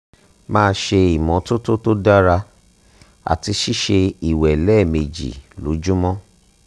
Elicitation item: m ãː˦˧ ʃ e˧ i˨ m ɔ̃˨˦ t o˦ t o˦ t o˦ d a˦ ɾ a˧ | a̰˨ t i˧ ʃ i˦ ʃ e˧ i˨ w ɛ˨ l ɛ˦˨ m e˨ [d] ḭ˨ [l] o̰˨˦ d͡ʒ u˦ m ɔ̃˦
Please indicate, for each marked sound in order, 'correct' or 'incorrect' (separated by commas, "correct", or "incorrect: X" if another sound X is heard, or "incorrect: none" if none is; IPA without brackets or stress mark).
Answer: incorrect: d͡ʒ, correct